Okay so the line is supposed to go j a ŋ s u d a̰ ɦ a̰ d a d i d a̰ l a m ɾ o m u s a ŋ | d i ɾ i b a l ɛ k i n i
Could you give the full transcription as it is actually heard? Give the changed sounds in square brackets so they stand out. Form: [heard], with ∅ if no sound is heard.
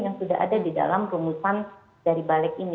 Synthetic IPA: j a ŋ s u d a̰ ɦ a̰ d a d i d a̰ l a m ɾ [u] m u s a [n] | d [a] ɾ i b a l ɛ k i n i